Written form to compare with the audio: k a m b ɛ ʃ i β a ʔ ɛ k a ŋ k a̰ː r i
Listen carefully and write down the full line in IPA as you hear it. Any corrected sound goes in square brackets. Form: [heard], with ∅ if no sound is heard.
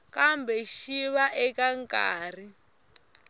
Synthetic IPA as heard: k a m b ɛ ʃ i β a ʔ ɛ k a ŋ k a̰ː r i